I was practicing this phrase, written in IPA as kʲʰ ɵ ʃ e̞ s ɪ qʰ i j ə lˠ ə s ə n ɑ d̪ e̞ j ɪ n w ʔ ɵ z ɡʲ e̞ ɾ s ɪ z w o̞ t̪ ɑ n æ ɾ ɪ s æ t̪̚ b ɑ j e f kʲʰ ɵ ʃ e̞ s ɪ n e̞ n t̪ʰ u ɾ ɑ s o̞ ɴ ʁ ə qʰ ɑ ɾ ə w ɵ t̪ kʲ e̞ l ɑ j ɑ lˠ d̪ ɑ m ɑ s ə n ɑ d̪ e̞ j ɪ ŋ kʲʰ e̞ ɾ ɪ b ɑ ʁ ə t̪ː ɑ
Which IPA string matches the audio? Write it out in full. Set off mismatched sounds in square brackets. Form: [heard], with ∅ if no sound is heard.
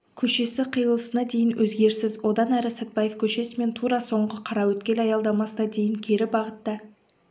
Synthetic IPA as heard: kʲʰ ɵ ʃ e̞ s ɪ qʰ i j ə lˠ ə s ə n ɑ d̪ e̞ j ɪ n w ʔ ɵ z ɡʲ e̞ ɾ s ɪ z w o̞ [d̪] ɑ n æ ɾ ɪ s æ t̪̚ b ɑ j e f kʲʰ ɵ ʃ e̞ s ɪ [m] e̞ n t̪ʰ u ɾ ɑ s o̞ ɴ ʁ ə qʰ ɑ ɾ [ɑ] w ɵ t̪ kʲ e̞ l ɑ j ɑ lˠ d̪ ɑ m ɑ s ə n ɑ d̪ e̞ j ɪ ŋ kʲʰ e̞ ɾ ɪ b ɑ ʁ ə t̪ː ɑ